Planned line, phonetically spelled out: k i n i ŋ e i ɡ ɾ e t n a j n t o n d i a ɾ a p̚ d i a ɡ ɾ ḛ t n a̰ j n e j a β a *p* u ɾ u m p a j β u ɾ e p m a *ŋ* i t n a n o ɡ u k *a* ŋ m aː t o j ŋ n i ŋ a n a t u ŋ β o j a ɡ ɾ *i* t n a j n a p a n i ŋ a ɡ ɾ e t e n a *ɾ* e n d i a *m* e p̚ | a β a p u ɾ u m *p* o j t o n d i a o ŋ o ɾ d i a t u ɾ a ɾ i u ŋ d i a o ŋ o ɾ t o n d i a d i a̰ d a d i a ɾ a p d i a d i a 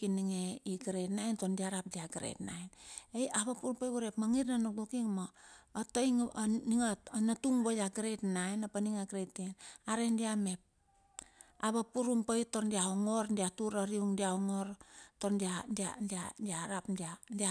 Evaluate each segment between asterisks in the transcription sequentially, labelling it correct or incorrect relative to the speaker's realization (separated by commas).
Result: correct, correct, incorrect, incorrect, correct, correct, correct